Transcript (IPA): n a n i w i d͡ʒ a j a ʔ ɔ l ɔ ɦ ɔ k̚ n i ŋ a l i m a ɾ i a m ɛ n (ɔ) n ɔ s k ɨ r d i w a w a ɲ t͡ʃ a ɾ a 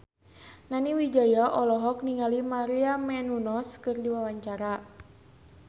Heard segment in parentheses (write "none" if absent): u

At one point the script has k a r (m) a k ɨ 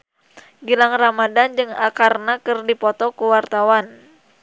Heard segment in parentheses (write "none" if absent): n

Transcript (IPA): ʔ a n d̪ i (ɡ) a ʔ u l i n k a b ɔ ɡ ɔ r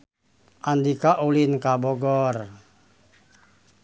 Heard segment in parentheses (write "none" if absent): k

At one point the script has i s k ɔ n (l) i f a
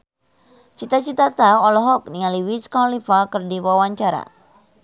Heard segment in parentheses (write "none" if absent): l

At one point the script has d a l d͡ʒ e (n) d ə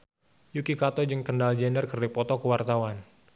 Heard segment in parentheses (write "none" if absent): n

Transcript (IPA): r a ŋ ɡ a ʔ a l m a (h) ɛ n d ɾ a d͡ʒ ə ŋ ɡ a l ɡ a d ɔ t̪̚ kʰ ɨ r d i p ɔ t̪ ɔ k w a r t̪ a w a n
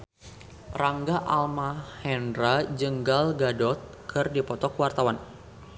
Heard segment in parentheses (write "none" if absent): h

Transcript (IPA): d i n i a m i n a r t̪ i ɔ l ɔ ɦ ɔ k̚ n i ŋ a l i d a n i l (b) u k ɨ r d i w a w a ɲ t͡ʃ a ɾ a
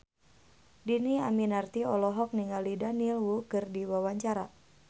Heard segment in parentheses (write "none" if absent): w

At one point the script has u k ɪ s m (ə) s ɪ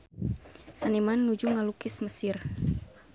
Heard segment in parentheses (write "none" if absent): ə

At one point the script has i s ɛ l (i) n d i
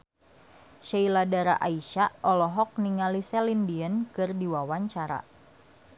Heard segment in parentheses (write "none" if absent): i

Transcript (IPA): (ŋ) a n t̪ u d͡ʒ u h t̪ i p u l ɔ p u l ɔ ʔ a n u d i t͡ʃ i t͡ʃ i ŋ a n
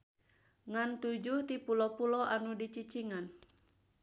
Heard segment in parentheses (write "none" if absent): ŋ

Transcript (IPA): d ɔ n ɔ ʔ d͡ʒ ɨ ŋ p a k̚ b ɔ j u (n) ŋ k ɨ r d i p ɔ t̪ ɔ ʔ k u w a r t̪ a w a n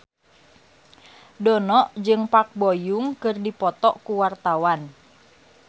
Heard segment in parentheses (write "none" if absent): none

